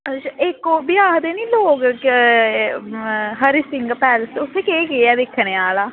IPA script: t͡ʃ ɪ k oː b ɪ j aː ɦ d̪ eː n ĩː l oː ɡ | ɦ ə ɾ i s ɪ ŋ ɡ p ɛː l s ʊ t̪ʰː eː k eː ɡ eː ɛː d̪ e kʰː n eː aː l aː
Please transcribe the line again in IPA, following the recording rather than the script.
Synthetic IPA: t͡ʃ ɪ k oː b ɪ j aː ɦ d̪ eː n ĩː l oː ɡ | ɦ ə ɾ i s ɪ ŋ ɡ p ɛː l s ʊ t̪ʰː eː k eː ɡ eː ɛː d̪ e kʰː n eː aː l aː